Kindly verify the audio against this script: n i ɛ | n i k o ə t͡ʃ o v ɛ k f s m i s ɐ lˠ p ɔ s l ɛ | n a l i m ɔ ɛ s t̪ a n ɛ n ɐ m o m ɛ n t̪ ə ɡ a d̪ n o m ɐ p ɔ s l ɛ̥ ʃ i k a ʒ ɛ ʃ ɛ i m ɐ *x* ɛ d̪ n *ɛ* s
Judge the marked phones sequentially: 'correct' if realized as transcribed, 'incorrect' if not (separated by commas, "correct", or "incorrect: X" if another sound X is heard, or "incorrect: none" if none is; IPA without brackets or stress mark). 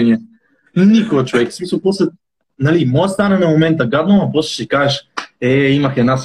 correct, incorrect: a